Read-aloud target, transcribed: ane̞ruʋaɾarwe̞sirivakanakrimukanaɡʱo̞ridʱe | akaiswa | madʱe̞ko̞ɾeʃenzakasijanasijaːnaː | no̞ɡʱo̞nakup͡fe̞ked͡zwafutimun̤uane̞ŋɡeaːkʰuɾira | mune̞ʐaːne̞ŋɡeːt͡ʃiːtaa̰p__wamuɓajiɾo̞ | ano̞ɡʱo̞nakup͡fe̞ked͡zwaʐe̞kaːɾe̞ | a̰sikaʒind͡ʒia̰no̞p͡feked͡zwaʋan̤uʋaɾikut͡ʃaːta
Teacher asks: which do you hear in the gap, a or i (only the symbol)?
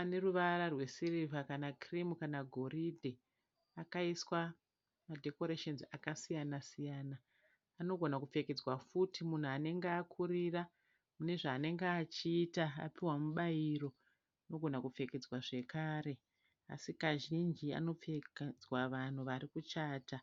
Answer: i